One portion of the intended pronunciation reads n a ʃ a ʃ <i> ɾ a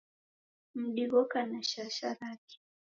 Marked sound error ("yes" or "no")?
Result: yes